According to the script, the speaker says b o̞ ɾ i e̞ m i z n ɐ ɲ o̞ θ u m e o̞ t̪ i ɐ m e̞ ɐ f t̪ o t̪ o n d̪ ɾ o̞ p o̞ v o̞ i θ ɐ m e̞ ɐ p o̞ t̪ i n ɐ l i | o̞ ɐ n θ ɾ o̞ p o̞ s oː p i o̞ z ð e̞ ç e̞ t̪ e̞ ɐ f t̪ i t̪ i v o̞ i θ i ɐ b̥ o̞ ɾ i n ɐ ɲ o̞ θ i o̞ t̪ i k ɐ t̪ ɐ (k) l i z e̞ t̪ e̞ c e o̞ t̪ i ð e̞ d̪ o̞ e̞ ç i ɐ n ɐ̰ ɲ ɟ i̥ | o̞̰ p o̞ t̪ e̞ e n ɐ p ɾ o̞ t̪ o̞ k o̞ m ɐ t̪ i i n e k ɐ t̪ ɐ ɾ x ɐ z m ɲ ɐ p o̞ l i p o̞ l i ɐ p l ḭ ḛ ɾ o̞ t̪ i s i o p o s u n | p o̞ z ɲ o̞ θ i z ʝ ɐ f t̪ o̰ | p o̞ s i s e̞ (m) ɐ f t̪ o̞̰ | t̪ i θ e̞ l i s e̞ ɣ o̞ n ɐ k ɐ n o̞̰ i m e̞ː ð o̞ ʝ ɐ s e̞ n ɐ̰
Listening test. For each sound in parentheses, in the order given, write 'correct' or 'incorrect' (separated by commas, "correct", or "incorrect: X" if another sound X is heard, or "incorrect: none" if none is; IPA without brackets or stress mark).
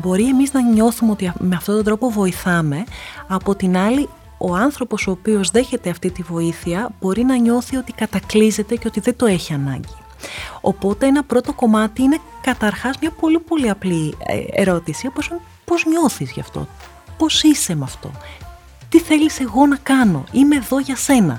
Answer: correct, correct